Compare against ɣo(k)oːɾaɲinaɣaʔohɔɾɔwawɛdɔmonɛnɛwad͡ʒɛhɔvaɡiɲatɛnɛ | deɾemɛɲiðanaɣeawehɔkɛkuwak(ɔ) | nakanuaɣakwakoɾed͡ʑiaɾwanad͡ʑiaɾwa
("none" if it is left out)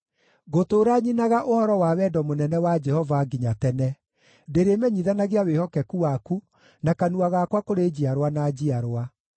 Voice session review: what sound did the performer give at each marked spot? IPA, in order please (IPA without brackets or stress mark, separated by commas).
t, u